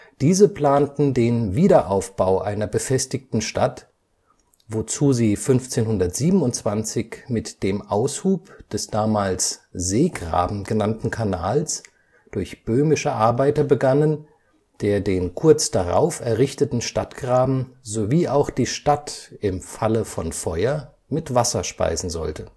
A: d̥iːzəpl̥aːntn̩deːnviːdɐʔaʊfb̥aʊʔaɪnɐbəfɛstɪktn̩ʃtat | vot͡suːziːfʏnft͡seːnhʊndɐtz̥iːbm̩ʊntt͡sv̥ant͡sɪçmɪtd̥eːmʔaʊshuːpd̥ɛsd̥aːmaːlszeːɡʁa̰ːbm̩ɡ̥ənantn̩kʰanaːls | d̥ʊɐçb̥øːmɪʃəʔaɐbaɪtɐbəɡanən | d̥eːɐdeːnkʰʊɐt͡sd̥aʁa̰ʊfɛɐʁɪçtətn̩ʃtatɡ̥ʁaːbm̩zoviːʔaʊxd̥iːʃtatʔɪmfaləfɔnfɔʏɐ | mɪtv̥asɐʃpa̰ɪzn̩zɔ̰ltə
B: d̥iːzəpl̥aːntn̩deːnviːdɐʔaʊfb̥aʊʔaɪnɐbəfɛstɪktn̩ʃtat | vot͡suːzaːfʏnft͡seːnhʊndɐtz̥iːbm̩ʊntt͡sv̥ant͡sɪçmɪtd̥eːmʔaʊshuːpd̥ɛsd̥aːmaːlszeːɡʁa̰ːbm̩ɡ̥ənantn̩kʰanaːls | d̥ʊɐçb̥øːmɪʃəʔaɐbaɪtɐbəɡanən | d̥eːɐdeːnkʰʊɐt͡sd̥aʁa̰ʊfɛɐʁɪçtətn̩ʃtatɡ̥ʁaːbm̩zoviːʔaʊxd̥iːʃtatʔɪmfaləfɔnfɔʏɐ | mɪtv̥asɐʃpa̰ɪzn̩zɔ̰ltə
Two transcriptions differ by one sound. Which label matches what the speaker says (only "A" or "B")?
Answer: A